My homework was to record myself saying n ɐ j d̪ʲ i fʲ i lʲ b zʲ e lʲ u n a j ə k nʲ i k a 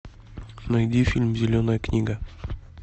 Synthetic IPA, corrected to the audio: n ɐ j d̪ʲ i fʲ i lʲ m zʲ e lʲ o n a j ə k nʲ i ɡ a

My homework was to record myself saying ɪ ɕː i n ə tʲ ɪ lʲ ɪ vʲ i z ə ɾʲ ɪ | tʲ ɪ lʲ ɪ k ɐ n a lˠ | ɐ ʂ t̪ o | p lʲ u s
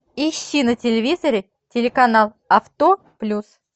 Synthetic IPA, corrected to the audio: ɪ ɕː i n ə tʲ ɪ lʲ ɪ vʲ i z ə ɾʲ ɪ | tʲ ɪ lʲ ɪ k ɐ n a lˠ | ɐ f t̪ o | p lʲ u s

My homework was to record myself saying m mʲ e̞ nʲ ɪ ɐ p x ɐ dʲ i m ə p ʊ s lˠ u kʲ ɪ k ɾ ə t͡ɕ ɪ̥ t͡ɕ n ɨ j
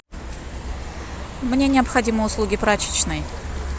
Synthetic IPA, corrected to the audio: m nʲ e̞ nʲ ɪ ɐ p x ɐ dʲ i m ə ʊ s lˠ u ɡʲ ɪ p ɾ a t͡ɕ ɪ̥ t͡ɕ n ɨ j

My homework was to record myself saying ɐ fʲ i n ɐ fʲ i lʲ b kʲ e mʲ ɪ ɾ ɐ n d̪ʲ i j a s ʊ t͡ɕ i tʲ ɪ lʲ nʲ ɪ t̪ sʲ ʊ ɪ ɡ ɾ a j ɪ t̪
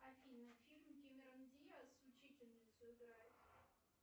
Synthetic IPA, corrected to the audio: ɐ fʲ i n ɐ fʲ i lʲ m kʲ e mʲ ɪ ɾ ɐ n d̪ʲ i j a s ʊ t͡ɕ i tʲ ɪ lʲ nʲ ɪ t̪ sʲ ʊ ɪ ɡ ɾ a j ɪ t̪

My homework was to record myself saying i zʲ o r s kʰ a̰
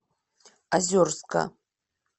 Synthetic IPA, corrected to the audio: a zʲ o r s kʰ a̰

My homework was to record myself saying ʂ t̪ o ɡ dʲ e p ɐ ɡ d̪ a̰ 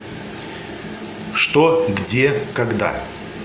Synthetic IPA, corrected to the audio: ʂ t̪ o ɡ dʲ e k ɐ ɡ d̪ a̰

